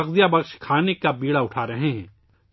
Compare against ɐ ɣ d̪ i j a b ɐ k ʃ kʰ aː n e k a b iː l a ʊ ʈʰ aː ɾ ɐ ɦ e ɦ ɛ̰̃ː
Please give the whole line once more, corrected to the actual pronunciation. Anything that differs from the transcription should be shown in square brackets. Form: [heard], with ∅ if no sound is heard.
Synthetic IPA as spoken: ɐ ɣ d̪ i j a b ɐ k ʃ kʰ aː n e k a b iː [ɽ] a ʊ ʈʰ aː ɾ ɐ ɦ e ɦ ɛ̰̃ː